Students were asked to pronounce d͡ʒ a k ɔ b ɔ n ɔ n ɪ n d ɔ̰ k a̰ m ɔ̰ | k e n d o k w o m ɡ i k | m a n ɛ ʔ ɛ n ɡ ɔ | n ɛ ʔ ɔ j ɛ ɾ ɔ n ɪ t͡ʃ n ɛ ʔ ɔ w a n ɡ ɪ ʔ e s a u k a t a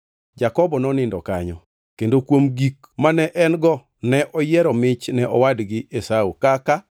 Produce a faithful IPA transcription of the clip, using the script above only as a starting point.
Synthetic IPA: d͡ʒ a k ɔ b ɔ n ɔ n ɪ n d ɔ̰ k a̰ ɲ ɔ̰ | k e n d o k w o m ɡ i k | m a n ɛ ʔ ɛ n ɡ ɔ | n ɛ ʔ ɔ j ɛ ɾ ɔ m ɪ t͡ʃ n ɛ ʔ ɔ w a d ɡ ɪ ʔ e s a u k a k a